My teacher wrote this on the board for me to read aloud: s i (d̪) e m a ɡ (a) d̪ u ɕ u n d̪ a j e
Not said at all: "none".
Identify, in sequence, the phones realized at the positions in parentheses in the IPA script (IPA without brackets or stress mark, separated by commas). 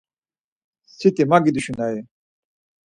t̪, i